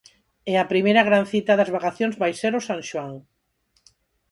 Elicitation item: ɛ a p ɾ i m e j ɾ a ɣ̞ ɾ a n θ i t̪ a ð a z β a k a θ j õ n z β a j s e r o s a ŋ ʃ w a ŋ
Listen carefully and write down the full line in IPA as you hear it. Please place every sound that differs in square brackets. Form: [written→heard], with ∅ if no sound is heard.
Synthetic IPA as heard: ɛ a p ɾ i m e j ɾ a ɣ̞ ɾ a n θ i t̪ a ð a z β a k a θ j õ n z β a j s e [r→ɾ] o s a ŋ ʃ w a ŋ